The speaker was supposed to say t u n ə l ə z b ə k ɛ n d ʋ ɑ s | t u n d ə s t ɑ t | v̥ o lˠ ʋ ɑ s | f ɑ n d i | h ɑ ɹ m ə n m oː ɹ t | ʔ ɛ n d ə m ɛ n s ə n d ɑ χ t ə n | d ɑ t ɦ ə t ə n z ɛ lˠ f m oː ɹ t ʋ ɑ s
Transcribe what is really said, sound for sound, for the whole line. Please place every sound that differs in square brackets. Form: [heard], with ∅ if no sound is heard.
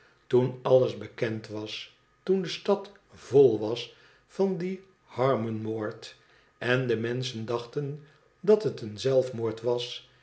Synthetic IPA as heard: t u n [ɑ] l ə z b ə k ɛ n [t] ʋ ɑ s | t u n d ə s t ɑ t | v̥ o lˠ ʋ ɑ s | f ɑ n d i | h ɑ ɹ m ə n m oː ɹ t | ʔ ɛ n d ə m ɛ n s ə n d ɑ χ t ə n | d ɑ t ɦ ə t ə n z ɛ lˠ f m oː ɹ t ʋ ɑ s